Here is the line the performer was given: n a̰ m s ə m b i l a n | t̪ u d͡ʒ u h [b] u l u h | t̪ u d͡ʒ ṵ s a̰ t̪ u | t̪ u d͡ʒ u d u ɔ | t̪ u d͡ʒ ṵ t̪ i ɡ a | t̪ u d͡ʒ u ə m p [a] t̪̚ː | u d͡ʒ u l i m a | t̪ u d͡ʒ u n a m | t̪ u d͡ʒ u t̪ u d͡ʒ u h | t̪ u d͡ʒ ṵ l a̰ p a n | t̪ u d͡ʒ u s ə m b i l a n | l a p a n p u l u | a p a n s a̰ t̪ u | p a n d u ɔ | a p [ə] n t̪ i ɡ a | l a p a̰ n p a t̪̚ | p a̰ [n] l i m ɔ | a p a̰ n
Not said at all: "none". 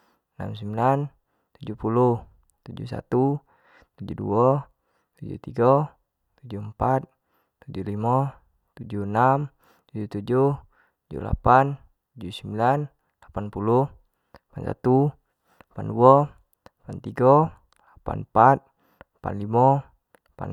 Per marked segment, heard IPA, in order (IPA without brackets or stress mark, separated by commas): p, a, a, n